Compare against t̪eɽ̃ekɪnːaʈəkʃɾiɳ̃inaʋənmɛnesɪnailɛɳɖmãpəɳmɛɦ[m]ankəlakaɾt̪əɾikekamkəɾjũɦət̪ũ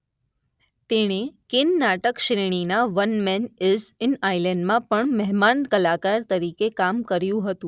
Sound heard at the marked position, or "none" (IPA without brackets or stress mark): m